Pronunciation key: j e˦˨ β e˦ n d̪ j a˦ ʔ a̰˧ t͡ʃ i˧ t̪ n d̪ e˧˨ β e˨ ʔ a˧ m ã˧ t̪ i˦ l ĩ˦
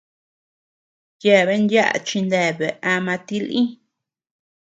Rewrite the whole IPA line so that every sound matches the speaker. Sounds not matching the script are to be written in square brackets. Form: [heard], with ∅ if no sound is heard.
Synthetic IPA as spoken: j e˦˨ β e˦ n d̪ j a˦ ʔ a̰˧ t͡ʃ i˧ [∅] n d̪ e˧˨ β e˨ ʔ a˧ m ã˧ t̪ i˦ l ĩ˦